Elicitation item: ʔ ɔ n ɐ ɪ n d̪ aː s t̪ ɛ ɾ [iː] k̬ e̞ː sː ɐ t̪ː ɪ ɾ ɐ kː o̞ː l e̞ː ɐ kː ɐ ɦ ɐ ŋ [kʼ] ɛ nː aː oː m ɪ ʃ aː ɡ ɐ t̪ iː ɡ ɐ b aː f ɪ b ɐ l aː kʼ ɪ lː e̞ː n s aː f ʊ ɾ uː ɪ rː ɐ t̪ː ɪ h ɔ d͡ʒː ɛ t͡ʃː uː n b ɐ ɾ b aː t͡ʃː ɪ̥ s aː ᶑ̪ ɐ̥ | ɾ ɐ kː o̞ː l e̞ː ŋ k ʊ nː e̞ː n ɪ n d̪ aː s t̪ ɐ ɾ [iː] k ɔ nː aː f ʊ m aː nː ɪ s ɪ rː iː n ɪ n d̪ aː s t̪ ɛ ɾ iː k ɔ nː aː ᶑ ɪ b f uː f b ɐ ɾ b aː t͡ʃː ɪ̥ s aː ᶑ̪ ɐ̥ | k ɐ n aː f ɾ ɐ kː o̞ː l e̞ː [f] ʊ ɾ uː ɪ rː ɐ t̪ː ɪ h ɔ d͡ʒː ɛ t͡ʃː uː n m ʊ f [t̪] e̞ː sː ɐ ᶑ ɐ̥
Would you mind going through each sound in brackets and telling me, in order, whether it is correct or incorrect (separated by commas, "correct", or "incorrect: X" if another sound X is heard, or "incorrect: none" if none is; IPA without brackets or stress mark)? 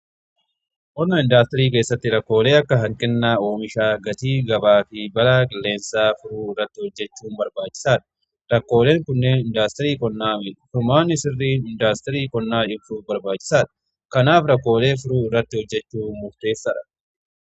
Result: correct, correct, correct, correct, correct